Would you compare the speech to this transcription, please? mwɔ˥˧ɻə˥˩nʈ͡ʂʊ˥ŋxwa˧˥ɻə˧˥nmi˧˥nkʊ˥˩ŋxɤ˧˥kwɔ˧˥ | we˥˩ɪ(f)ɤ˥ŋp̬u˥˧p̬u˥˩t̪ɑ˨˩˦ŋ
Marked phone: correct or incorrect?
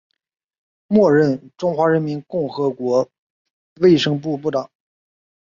incorrect